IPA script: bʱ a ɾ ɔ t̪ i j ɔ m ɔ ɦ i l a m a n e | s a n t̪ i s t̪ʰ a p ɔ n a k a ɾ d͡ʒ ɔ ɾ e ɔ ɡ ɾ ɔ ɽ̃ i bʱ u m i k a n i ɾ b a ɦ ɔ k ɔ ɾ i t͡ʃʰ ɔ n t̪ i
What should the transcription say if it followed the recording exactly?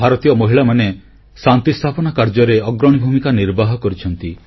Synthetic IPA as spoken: bʱ a ɾ ɔ t̪ i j ɔ m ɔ ɦ i ɭ a m a n e | s a n t̪ i s t̪ʰ a p ɔ n a k a ɾ d͡ʒ ɔ ɾ e ɔ ɡ ɾ ɔ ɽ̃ i bʱ u m i k a n i ɾ b a ɦ ɔ k ɔ ɾ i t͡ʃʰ ɔ n t̪ i